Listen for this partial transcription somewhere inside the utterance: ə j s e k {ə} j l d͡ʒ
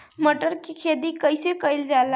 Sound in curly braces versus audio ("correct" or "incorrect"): correct